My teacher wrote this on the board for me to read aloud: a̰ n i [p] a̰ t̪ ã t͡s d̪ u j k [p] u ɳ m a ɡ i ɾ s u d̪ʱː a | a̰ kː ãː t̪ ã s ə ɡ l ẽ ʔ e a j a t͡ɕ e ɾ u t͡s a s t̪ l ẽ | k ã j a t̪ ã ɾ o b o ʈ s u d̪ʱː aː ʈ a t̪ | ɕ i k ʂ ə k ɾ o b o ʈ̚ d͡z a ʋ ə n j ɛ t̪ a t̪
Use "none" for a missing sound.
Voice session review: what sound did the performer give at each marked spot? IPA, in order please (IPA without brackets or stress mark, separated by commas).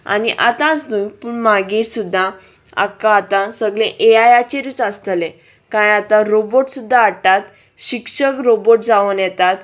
ʔ, p